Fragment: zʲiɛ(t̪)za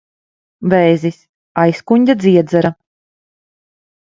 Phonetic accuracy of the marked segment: incorrect: d̪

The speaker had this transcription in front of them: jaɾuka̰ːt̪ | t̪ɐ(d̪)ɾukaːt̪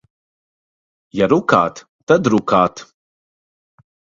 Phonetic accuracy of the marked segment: correct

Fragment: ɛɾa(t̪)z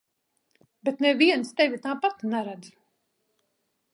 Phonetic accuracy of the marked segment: incorrect: d̪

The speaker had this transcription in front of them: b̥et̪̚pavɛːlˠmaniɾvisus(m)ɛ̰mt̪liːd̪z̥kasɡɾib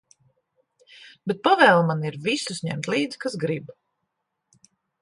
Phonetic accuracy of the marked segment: incorrect: ɲ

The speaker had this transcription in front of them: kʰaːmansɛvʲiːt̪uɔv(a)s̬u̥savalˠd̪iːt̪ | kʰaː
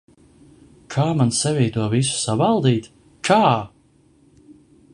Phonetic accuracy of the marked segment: incorrect: i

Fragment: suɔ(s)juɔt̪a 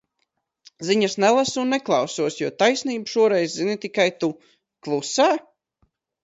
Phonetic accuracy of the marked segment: correct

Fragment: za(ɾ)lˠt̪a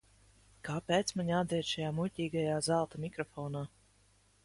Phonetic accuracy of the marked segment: incorrect: none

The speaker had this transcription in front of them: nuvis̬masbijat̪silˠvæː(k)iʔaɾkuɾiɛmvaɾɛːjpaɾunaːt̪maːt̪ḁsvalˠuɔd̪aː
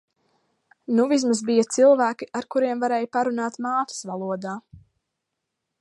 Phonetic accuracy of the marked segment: correct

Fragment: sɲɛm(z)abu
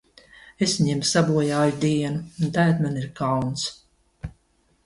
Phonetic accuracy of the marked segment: incorrect: s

